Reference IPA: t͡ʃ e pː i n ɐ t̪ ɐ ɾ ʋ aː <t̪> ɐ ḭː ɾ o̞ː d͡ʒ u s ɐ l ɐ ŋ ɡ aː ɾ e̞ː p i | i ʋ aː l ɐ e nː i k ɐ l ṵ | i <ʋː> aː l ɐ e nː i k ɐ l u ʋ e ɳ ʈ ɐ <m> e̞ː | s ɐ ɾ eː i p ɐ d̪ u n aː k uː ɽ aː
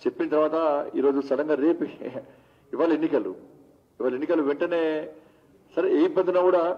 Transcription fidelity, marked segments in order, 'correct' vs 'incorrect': correct, incorrect: ʋ, incorrect: n

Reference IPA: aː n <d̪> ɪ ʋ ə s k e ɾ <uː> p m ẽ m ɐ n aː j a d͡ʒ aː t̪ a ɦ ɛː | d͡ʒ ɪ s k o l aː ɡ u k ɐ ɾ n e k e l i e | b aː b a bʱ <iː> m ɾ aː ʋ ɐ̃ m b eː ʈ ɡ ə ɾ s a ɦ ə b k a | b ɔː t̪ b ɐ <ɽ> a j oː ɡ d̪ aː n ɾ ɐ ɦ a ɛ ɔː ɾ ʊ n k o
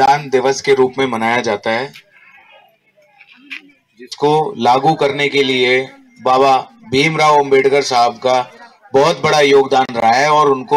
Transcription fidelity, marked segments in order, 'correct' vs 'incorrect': correct, correct, correct, correct

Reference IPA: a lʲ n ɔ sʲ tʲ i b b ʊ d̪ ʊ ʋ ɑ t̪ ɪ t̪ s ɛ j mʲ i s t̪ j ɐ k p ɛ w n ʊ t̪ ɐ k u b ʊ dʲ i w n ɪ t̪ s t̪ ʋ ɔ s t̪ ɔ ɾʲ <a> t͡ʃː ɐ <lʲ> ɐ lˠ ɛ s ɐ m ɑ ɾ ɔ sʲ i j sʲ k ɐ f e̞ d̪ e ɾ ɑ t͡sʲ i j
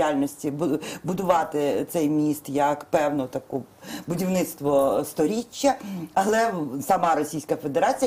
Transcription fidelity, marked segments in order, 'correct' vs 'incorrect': incorrect: i, incorrect: none

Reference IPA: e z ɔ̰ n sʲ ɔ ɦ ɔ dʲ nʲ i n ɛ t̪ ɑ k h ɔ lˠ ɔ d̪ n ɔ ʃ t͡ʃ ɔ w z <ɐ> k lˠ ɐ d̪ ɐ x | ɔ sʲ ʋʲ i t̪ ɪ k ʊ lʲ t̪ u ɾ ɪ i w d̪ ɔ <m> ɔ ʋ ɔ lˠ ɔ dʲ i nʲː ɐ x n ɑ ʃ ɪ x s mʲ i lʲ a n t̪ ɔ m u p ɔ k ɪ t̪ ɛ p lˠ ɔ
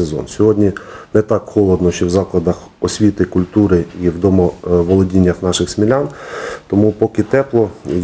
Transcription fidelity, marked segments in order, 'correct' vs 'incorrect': incorrect: ɑ, correct

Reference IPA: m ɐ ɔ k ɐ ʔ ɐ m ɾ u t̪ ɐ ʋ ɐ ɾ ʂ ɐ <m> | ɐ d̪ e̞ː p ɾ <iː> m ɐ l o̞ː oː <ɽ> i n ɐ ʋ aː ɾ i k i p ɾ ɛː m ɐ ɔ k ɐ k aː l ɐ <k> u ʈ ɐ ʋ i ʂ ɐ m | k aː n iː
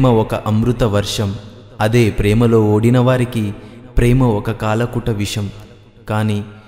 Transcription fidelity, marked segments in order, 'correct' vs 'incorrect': correct, incorrect: ɛː, correct, correct

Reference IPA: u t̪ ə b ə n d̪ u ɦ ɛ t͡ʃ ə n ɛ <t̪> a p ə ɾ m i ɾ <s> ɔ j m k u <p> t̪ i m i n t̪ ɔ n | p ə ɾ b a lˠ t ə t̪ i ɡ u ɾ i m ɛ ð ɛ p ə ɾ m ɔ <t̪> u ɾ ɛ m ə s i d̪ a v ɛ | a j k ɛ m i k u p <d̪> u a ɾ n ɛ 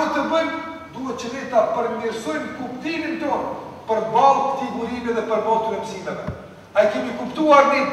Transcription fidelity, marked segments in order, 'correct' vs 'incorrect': correct, correct, correct, correct, incorrect: t̪

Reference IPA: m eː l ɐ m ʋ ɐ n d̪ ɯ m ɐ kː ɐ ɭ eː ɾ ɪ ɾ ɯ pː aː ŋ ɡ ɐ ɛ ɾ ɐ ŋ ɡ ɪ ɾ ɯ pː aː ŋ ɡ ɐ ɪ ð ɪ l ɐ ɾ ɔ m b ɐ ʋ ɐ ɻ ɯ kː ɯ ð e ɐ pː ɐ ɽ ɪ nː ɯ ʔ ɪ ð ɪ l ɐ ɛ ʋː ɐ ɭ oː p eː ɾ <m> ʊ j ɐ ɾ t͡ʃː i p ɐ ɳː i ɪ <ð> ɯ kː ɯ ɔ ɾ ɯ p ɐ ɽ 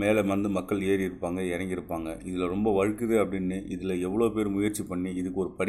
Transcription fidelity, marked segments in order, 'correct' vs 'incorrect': correct, correct

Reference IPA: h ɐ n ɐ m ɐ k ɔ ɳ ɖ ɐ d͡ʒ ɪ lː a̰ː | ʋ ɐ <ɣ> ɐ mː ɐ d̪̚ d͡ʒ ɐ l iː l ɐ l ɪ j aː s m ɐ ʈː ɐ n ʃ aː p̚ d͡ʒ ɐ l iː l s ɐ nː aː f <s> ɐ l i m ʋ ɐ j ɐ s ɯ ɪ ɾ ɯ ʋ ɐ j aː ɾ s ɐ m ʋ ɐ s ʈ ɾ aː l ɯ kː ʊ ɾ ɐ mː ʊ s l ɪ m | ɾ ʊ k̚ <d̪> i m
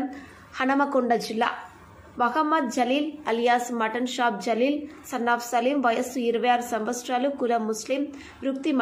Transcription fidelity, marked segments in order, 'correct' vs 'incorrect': correct, correct, incorrect: t̪

